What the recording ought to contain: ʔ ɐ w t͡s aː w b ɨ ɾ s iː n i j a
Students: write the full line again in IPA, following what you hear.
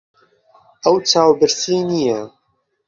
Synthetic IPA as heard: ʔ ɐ w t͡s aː w b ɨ ɾ s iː n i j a